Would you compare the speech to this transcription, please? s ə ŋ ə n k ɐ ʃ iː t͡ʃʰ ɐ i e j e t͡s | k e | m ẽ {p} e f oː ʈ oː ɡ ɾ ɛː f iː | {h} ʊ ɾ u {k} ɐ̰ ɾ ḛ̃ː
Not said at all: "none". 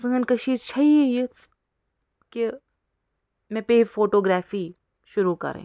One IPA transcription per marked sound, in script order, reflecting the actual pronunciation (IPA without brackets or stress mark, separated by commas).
p, ʃ, k